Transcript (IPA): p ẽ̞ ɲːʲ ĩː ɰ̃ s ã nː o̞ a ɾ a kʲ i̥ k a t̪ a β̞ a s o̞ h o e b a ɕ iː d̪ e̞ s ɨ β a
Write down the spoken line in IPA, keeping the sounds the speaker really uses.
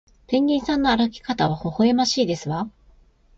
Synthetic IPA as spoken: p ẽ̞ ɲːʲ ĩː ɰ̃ s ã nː o̞ a ɾ a kʲ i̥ k a t̪ a β̞ a h o̞ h o e m a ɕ iː d̪ e̞ s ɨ β a